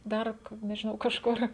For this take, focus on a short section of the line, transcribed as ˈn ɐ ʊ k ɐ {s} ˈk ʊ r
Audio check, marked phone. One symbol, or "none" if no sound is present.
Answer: ʃ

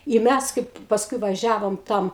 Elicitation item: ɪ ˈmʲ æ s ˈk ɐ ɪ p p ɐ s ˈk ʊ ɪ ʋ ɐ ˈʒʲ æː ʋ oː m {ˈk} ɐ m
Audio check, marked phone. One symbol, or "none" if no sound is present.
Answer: t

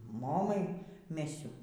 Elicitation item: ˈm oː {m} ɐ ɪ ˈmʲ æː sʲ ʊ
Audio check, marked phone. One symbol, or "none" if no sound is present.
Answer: m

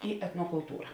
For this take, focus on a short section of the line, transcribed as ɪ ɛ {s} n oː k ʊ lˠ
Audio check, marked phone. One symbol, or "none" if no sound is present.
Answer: t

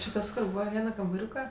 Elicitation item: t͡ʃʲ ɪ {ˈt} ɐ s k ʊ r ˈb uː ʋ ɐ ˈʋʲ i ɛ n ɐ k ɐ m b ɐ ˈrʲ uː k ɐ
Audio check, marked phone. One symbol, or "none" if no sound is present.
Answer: t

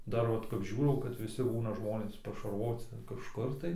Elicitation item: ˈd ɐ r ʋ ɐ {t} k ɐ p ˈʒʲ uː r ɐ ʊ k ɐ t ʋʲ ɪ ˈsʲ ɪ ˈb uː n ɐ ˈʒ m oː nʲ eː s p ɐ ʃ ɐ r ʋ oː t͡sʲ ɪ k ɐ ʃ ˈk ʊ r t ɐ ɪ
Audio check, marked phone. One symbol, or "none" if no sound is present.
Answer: t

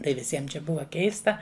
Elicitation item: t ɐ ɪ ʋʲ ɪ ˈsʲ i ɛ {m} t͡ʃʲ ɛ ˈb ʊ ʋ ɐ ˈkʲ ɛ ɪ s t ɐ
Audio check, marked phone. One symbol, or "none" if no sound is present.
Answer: m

